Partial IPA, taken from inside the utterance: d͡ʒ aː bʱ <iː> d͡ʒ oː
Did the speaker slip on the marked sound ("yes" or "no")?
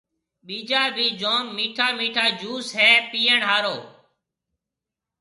no